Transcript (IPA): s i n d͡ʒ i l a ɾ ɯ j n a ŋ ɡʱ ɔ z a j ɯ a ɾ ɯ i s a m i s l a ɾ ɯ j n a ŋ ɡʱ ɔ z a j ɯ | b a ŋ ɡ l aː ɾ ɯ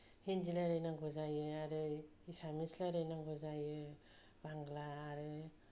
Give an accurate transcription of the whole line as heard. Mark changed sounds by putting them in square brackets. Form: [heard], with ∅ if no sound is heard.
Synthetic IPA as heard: [h] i n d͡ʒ i l a ɾ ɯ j n a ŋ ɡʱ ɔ z a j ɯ a ɾ ɯ i s a m i s l a ɾ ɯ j n a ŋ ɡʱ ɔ z a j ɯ | b a ŋ ɡ l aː ɾ ɯ